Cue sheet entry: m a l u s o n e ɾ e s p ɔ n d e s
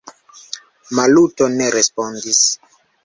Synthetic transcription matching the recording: m a l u t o n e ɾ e s p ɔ n d i s